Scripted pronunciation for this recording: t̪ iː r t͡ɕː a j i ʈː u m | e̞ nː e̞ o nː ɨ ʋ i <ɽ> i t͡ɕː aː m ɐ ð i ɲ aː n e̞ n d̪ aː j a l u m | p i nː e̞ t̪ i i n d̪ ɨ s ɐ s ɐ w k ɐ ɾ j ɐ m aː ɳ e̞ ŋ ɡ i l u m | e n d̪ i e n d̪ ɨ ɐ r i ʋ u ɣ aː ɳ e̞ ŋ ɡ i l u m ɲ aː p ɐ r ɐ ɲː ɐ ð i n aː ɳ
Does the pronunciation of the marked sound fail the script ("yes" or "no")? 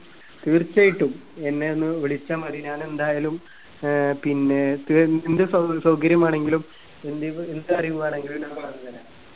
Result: yes